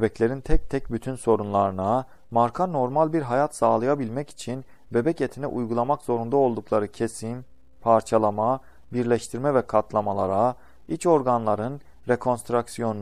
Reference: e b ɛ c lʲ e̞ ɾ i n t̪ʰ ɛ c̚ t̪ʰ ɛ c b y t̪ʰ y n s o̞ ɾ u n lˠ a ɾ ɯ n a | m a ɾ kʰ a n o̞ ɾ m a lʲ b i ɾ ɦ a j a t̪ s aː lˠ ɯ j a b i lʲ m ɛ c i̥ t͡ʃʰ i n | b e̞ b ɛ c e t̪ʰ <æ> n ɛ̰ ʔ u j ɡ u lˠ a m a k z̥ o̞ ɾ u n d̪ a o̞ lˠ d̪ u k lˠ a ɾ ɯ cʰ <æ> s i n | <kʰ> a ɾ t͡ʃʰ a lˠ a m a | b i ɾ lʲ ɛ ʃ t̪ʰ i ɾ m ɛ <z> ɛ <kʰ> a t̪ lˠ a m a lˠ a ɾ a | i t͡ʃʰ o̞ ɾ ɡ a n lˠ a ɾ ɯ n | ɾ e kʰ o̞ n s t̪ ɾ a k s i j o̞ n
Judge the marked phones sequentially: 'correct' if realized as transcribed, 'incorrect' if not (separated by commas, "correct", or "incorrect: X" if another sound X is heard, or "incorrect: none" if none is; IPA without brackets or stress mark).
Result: incorrect: i, incorrect: e, incorrect: pʰ, incorrect: v, correct